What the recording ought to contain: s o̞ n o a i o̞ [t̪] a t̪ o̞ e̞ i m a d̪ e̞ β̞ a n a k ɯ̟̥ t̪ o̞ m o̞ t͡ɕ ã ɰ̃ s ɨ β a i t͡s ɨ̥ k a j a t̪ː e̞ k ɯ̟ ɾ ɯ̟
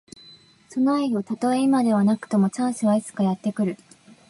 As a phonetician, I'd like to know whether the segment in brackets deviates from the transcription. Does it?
no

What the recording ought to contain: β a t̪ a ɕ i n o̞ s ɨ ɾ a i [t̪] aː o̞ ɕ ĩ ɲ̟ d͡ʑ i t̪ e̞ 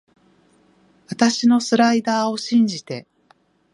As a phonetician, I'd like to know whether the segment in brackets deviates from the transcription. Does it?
yes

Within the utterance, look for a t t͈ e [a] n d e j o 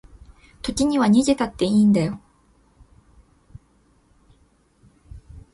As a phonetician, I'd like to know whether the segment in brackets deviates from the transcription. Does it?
yes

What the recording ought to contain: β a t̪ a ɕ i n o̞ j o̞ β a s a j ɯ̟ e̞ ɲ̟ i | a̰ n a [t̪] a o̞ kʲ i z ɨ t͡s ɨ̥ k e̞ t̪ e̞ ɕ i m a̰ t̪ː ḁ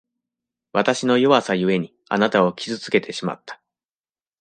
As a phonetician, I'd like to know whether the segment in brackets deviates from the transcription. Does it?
no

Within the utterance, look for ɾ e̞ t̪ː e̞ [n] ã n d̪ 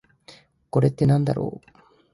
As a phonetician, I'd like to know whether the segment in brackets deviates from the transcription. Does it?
no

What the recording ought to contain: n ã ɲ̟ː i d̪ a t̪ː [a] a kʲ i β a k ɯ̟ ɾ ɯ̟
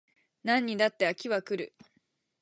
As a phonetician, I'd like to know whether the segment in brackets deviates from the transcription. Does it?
yes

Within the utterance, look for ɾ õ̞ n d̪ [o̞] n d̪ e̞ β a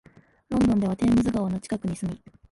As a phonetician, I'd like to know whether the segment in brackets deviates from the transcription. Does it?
yes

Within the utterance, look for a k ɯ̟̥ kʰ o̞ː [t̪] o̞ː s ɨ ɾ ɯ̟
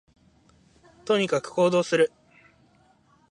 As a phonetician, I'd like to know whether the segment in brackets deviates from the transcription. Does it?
yes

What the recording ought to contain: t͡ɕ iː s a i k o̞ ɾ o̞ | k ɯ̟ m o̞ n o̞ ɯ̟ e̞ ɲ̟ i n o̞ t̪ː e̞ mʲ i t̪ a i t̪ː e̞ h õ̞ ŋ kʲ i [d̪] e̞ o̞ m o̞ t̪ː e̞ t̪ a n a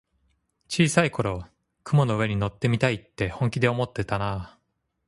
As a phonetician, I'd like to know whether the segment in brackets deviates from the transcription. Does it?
no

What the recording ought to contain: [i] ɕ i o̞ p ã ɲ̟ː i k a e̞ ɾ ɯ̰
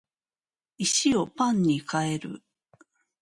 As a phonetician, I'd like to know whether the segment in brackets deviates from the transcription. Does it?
no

